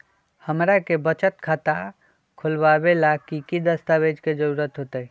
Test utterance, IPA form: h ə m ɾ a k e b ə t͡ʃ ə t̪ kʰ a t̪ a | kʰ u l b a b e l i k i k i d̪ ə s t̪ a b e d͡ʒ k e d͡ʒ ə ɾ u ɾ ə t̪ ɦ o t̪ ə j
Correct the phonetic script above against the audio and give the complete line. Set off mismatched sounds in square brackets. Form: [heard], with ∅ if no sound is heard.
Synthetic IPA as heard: h ə m ɾ a k e b ə t͡ʃ ə t̪ kʰ a t̪ a | kʰ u l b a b e l [a] k i k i d̪ ə s t̪ a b e d͡ʒ k e d͡ʒ ə ɾ u ɾ ə t̪ ɦ o t̪ ə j